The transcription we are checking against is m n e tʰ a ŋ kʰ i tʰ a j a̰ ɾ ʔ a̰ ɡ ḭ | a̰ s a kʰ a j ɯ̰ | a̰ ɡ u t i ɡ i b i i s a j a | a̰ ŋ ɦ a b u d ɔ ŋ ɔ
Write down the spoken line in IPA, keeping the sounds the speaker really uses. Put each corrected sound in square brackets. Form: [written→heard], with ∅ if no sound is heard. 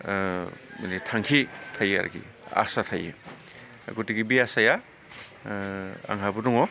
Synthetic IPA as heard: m n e tʰ a ŋ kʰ i tʰ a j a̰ ɾ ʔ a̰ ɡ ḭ | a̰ s a [kʰ→tʰ] a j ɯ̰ | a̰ ɡ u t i ɡ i b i [i→a] s a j a | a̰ ŋ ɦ a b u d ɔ ŋ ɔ